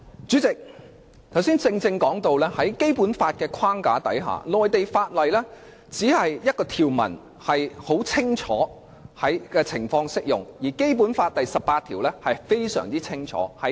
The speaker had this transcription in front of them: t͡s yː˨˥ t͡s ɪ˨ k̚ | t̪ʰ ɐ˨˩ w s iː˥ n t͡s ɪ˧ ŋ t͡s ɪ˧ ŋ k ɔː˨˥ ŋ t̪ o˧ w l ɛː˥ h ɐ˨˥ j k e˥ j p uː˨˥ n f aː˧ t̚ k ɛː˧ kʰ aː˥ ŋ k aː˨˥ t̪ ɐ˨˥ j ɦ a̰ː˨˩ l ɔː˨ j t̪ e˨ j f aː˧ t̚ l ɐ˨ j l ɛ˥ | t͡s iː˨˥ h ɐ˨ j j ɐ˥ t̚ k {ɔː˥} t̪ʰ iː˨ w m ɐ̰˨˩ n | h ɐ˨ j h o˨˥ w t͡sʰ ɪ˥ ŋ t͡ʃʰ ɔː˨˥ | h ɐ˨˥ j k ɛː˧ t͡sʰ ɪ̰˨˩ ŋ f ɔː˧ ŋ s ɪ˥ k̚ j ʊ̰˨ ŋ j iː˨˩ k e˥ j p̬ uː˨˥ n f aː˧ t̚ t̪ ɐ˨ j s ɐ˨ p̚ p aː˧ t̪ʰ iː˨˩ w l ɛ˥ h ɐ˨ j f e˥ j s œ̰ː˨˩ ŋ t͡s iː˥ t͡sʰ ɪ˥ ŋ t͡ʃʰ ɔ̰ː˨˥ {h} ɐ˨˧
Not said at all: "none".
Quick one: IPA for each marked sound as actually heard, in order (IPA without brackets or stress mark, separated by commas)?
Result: ɔː˧, h